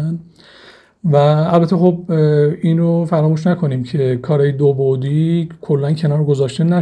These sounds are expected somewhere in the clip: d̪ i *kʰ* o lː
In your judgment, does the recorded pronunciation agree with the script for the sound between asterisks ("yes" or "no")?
yes